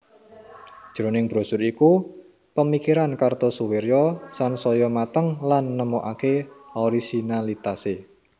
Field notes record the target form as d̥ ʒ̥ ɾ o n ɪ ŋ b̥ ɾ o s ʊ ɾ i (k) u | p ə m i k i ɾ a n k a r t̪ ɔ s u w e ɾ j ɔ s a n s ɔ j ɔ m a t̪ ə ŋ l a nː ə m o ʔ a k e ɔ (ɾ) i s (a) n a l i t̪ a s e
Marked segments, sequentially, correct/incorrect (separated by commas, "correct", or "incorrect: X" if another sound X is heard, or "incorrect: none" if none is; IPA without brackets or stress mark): correct, correct, incorrect: i